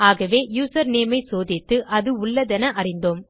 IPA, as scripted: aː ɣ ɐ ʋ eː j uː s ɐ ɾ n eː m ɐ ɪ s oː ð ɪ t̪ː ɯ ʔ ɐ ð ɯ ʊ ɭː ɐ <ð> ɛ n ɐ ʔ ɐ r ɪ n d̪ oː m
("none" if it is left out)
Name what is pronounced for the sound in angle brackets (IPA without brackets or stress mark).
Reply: ð